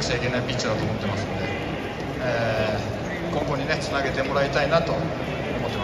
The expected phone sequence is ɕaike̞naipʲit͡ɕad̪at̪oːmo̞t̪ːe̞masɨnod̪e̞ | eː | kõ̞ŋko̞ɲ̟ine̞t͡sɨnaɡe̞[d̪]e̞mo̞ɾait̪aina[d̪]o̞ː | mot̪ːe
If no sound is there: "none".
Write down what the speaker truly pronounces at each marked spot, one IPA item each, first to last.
t̪, t̪

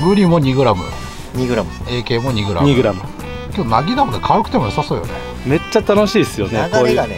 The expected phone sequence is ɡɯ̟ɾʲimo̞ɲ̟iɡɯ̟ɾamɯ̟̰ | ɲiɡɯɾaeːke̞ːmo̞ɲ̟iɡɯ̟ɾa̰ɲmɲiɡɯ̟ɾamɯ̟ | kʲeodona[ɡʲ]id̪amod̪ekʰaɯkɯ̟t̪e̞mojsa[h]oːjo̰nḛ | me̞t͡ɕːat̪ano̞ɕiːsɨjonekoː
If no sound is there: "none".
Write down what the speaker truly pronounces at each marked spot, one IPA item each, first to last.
ɡʲ, s

